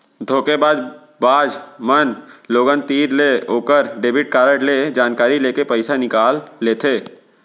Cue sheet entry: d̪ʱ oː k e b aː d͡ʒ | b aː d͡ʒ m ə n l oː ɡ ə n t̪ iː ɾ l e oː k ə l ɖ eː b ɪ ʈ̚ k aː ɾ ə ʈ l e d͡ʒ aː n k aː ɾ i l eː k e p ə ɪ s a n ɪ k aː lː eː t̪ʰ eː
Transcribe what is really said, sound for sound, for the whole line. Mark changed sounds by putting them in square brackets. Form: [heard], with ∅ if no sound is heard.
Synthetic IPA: d̪ʱ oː k e b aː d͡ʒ | b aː d͡ʒ m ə n l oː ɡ ə n t̪ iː ɾ l e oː k ə [ɾ] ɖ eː b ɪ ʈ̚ k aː ɾ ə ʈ l e d͡ʒ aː n k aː ɾ i l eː k e p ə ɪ s a n ɪ k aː lː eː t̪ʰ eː